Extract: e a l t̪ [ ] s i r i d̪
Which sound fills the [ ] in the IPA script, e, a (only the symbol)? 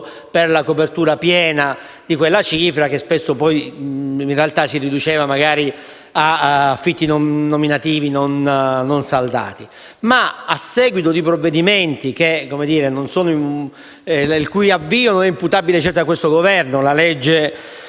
a